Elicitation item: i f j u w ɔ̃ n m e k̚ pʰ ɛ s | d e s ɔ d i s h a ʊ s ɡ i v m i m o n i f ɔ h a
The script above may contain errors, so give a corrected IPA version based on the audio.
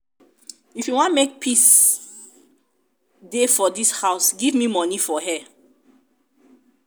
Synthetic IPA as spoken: i f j u w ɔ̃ n m e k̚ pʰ i s | d e f ɔ d i s h a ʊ s ɡ i v m i m ɔ n i f ɔ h ɛ